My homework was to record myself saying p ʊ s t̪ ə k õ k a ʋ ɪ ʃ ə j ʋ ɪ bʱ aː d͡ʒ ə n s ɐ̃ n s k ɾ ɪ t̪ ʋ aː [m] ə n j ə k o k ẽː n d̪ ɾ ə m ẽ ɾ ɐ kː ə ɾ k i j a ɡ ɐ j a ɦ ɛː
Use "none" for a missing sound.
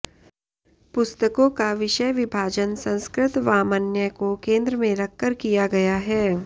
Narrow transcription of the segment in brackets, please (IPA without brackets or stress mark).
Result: m